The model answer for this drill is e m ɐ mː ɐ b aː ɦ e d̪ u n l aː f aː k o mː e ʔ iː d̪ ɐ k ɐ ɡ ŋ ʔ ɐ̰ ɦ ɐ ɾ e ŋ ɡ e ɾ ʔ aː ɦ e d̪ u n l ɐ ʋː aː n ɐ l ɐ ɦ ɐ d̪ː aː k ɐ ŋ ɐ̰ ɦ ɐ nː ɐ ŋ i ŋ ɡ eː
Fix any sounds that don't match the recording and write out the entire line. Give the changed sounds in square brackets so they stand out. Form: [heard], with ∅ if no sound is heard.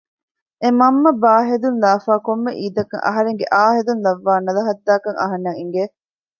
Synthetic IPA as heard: e m ɐ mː ɐ b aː ɦ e d̪ u n l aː f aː k o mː e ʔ iː d̪ ɐ k ɐ [∅] ŋ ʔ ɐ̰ ɦ ɐ ɾ e ŋ ɡ e [∅] ʔ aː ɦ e d̪ u n l ɐ ʋː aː n ɐ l ɐ ɦ ɐ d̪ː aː k ɐ ŋ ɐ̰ ɦ ɐ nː ɐ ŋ i ŋ ɡ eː